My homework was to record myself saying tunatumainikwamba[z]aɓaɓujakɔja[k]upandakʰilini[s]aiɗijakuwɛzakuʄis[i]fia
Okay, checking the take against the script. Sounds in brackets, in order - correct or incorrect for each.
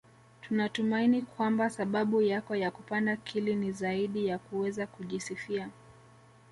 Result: incorrect: s, correct, incorrect: z, correct

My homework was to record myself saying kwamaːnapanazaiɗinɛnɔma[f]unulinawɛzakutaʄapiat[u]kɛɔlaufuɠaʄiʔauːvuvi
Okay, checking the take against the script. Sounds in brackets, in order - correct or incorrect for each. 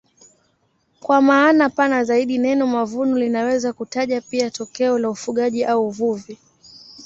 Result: incorrect: v, incorrect: ɔ

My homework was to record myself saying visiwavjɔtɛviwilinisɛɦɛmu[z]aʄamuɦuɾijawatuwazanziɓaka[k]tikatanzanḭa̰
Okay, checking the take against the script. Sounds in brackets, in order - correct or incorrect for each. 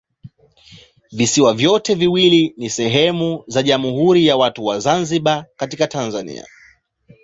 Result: correct, incorrect: none

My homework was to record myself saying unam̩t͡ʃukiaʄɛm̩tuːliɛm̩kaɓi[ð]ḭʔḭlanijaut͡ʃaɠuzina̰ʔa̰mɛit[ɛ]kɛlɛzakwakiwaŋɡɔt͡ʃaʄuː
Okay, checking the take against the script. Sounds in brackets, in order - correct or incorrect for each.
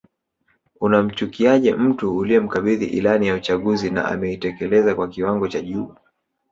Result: correct, correct

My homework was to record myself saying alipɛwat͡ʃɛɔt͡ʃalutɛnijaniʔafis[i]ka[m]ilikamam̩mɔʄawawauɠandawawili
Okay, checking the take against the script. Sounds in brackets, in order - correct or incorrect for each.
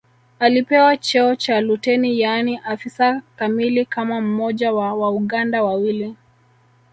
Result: incorrect: a, correct

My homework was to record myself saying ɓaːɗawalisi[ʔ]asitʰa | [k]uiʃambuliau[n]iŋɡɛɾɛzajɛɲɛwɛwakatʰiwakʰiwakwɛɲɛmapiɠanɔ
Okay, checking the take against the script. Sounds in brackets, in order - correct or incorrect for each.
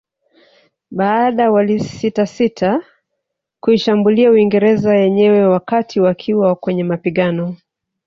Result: incorrect: t, correct, incorrect: none

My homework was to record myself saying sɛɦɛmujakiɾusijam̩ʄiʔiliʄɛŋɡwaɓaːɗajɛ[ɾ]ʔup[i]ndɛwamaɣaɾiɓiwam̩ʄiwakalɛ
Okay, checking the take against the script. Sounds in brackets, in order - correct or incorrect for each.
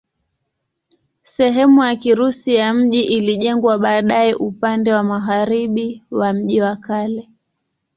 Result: incorrect: none, incorrect: a

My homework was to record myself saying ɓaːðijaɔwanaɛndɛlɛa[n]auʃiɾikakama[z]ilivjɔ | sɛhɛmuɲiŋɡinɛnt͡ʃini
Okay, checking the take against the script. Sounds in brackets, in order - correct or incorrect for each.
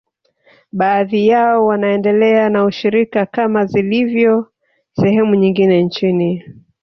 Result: correct, correct

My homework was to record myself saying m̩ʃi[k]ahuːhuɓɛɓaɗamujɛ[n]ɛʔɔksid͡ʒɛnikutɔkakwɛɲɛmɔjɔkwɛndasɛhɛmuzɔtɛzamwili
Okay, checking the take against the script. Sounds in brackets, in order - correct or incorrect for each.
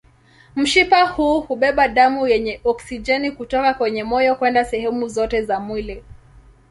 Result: incorrect: p, incorrect: ɲ

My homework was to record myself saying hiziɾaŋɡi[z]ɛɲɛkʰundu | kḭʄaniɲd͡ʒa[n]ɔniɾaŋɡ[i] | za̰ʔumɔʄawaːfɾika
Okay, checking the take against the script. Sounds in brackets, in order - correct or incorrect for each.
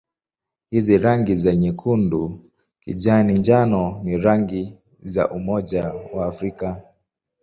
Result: correct, correct, correct

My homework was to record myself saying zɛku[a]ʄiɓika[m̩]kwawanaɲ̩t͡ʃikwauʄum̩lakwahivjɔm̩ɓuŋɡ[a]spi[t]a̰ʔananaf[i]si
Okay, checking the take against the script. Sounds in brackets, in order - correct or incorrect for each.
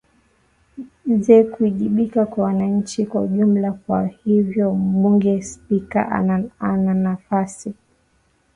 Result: incorrect: i, incorrect: none, incorrect: ɛ, incorrect: k, incorrect: a

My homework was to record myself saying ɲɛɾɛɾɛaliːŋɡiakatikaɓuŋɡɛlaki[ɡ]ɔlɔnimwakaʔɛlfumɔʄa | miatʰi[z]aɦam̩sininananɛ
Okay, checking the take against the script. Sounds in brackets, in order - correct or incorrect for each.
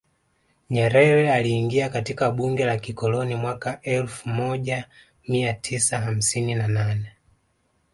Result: incorrect: k, incorrect: s

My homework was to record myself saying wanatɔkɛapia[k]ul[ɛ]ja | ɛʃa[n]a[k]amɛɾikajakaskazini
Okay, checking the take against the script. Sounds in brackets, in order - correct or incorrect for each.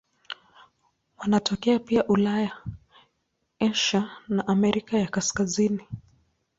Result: incorrect: ʔ, incorrect: a, correct, incorrect: ʔ

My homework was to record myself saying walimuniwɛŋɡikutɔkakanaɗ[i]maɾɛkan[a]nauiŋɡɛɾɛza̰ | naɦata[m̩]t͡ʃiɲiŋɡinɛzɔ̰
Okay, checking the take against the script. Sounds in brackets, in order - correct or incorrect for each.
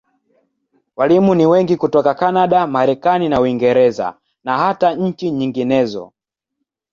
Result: incorrect: a, incorrect: i, incorrect: ɲ̩

